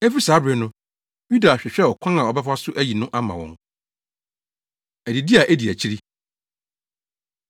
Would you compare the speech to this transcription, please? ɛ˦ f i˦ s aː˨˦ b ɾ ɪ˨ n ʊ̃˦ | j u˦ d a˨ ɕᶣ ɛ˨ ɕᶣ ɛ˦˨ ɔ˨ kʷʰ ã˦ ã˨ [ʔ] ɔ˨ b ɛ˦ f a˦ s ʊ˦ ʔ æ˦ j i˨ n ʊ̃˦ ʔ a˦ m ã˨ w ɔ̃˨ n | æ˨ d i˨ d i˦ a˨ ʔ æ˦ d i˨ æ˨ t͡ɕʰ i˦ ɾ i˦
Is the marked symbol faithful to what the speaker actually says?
no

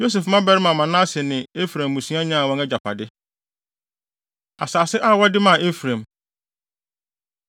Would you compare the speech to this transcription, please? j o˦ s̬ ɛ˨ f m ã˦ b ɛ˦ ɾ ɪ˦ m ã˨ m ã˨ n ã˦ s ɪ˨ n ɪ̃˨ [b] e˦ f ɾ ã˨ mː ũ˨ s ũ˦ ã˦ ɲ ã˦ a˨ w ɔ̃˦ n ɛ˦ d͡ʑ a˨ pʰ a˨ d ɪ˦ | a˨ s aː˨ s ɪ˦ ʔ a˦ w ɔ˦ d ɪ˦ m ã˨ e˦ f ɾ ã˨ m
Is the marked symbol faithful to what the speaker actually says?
no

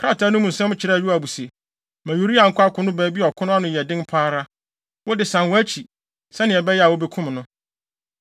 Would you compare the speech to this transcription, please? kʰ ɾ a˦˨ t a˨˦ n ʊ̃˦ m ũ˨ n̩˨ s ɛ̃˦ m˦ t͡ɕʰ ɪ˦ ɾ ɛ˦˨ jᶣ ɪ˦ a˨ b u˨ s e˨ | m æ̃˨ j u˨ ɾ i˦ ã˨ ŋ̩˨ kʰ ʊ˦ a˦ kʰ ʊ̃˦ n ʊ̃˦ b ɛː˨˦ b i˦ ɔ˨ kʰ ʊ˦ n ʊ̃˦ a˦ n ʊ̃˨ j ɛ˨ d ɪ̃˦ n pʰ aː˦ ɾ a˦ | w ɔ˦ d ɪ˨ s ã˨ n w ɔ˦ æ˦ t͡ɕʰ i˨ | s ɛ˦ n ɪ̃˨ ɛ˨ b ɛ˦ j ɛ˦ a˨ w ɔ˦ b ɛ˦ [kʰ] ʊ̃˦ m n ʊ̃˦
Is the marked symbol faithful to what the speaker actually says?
yes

